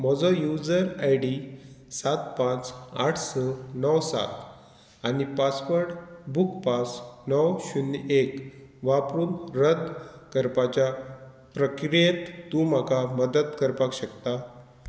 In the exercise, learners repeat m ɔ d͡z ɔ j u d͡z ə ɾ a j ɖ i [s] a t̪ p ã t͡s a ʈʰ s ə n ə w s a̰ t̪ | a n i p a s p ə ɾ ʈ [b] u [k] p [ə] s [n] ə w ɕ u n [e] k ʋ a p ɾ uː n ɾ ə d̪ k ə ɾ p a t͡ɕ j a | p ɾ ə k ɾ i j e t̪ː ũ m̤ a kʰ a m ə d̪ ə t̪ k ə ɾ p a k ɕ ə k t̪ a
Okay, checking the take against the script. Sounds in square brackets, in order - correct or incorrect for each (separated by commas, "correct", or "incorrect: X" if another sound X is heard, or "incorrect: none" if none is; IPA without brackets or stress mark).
correct, correct, correct, incorrect: a, correct, correct